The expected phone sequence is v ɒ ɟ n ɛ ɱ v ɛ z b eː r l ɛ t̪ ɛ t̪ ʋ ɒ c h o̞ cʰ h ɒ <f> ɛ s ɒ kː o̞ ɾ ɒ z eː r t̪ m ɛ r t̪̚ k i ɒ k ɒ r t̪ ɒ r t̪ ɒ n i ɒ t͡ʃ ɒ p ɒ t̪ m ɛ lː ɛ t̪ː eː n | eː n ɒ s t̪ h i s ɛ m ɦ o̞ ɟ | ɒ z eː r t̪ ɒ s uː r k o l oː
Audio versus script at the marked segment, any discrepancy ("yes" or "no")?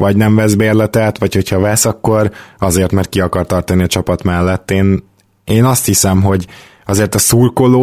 yes